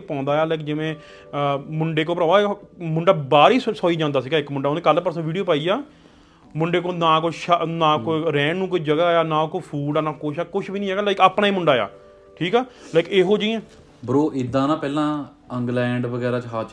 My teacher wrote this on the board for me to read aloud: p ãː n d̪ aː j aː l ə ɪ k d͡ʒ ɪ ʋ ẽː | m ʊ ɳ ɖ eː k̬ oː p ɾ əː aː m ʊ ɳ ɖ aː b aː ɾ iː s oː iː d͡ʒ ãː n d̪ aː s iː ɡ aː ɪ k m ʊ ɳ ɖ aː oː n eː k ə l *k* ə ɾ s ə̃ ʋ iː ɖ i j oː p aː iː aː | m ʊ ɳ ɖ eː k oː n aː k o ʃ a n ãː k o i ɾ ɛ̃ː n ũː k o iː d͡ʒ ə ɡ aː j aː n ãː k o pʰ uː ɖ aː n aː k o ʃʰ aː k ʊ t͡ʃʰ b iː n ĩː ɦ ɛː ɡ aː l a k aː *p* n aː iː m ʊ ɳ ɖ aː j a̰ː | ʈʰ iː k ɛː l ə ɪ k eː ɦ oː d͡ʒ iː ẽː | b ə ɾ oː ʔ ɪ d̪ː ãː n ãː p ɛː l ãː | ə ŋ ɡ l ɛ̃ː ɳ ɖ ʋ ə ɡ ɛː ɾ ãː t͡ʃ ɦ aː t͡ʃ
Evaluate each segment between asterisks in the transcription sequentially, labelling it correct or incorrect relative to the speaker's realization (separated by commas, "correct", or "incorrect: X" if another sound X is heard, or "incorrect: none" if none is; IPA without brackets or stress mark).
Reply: incorrect: p, correct